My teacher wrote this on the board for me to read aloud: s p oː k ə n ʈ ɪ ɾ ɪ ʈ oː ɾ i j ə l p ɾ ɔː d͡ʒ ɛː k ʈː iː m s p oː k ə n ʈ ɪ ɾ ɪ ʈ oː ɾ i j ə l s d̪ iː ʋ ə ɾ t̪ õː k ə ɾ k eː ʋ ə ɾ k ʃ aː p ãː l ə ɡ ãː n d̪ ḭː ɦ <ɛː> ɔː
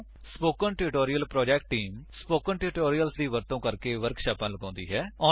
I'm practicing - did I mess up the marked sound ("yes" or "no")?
no